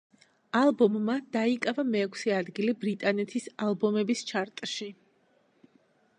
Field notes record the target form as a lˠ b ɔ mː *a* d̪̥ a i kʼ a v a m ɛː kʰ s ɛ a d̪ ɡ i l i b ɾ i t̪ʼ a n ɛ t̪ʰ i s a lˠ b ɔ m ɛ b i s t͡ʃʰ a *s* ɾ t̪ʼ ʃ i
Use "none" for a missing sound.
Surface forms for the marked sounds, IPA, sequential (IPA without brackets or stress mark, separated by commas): a, none